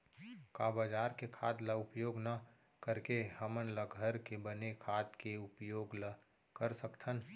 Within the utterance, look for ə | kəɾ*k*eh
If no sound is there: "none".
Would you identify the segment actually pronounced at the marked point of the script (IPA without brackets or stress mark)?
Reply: k